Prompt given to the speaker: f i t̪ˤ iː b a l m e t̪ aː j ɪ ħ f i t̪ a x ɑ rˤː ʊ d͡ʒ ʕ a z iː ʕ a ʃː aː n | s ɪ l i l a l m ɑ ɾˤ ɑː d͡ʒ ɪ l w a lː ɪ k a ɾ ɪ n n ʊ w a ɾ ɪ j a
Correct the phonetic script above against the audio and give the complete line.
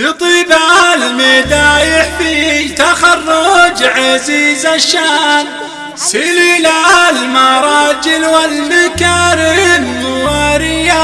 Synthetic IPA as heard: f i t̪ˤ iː b a l m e d̪ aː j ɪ ħ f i t̪ a x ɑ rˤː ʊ d͡ʒ ʕ a z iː z a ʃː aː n | s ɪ l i l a l m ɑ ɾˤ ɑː d͡ʒ ɪ l w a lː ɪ k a ɾ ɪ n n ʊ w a ɾ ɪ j a